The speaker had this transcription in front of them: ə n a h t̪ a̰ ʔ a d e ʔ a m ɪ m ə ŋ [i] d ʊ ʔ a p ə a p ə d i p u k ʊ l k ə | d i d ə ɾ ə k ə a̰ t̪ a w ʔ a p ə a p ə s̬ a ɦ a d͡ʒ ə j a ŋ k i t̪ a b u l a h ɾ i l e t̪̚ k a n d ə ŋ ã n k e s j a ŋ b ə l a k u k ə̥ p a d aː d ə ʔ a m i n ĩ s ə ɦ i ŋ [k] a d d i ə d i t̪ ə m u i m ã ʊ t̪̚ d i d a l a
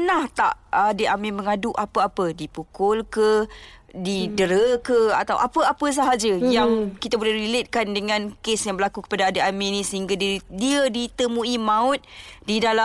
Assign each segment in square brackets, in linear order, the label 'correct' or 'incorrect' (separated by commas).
incorrect, incorrect